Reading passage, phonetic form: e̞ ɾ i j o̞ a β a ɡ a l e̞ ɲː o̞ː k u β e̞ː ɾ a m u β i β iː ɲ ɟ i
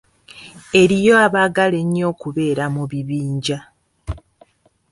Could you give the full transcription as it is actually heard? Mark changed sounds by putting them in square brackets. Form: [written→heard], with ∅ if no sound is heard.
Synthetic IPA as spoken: e̞ ɾ i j o̞ a β a ɡ a l e̞ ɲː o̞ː k u β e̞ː ɾ a m u β i β iː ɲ ɟ [i→a]